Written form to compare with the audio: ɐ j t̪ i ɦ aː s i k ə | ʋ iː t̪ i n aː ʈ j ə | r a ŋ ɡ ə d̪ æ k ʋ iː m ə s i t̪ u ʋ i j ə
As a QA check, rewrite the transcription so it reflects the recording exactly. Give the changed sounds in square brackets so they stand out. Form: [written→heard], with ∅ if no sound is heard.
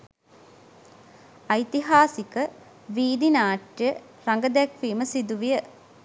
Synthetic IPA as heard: ɐ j t̪ i ɦ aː s i k ə | ʋ iː [t̪→d̪] i n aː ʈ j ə | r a ŋ ɡ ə d̪ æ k ʋ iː m ə s i [t̪→d̪] u ʋ i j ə